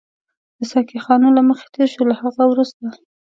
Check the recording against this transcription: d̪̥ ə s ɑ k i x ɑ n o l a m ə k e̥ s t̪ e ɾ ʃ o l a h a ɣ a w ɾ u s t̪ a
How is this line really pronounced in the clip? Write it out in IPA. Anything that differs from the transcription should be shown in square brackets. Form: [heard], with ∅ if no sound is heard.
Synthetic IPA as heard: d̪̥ ə s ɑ k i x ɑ n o l a m ə [x] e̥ [∅] t̪ e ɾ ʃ o l a h a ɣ a w ɾ u s t̪ a